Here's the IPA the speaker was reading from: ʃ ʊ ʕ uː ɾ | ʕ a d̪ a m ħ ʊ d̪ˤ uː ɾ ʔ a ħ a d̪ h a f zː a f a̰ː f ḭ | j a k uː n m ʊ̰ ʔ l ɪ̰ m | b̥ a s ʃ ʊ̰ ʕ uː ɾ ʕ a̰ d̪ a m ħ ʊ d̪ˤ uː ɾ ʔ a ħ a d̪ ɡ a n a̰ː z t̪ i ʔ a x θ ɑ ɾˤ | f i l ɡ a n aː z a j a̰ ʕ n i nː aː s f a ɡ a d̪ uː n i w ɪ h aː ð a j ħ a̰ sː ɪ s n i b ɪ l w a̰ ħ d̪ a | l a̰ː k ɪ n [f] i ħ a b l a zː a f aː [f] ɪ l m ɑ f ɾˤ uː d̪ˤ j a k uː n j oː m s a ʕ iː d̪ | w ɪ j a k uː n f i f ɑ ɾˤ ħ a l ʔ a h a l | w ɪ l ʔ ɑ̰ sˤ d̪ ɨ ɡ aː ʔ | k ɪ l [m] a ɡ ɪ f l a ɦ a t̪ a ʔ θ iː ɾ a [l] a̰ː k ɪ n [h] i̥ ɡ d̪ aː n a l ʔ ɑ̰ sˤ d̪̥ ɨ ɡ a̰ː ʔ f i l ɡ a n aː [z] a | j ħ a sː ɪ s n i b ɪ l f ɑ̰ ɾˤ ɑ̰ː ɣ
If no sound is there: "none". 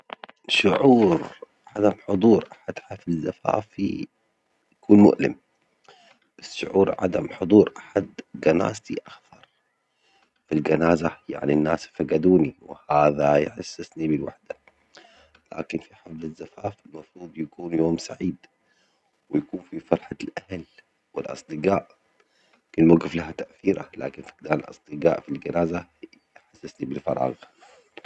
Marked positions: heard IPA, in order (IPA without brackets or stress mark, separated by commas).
f, f, m, l, f, z